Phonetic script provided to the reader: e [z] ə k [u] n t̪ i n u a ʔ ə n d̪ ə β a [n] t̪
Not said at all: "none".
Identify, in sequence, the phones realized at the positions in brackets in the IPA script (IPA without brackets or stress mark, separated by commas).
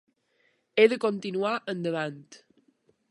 ð, o, n